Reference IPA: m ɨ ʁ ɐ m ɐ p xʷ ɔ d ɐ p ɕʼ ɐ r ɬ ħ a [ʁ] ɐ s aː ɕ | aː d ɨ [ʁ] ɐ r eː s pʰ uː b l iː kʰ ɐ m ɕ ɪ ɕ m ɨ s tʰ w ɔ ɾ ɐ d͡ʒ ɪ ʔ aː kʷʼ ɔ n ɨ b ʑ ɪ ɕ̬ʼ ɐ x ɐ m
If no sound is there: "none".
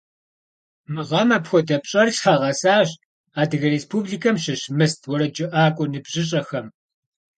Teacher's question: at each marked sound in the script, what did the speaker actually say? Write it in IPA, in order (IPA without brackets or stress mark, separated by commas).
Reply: ʁ, ɣ